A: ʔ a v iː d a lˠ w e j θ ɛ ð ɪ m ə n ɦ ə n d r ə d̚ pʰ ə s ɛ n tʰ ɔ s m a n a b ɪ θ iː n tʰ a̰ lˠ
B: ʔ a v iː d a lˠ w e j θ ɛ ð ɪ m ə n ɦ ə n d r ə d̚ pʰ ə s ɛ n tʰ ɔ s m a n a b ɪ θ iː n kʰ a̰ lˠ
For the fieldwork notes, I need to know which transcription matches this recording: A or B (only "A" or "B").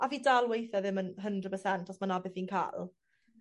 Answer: B